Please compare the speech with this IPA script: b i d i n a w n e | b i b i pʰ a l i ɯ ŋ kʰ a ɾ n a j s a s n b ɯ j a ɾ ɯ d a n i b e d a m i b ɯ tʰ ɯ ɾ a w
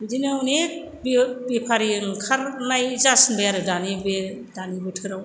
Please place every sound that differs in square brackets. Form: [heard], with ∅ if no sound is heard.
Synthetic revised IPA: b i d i n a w n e | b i b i pʰ a [ɾ] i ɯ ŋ kʰ a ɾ n a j [z] a s n b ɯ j a ɾ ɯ d a n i b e d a [n] i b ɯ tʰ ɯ ɾ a w